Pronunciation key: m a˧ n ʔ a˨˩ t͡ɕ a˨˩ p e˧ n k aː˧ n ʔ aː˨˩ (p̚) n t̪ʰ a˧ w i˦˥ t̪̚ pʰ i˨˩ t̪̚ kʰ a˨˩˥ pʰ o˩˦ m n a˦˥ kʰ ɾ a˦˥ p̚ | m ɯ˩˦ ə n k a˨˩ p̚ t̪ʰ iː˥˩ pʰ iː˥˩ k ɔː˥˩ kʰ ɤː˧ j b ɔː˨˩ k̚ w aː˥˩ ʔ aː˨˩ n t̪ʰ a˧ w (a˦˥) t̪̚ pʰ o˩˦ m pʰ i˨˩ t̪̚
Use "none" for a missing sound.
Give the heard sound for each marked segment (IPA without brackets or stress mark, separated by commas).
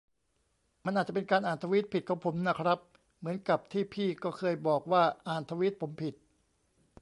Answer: none, i˦˥